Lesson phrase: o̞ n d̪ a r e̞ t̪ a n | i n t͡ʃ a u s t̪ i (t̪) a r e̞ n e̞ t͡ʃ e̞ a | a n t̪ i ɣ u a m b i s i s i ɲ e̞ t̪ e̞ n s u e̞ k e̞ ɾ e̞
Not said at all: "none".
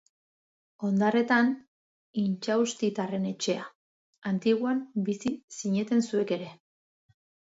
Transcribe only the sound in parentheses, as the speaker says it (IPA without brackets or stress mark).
t̪